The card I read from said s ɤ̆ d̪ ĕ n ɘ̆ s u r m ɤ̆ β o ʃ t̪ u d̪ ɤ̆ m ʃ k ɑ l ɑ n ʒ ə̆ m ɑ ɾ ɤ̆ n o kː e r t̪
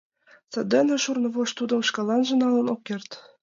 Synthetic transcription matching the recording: s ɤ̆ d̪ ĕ n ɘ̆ ʃ u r n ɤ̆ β o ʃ t̪ u d̪ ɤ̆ m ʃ k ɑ l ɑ n ʒ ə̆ n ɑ l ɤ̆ n o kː e r t̪